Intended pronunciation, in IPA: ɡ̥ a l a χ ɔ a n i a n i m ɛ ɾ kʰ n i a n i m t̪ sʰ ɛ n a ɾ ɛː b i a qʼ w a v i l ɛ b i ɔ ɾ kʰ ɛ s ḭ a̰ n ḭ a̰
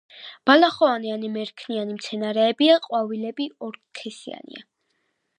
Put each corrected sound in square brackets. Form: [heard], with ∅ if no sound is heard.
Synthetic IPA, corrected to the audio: [b̥] a l a χ ɔ a n i a n i m ɛ ɾ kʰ n i a n i m t̪ sʰ ɛ n a ɾ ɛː b i a qʼ w a v i l ɛ b i ɔ ɾ kʰ ɛ s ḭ a̰ n ḭ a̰